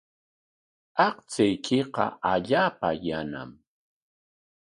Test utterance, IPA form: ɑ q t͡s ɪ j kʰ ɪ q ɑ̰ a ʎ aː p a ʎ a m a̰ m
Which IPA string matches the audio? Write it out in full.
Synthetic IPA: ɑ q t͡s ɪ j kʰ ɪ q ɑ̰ a ʎ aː p a j a n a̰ m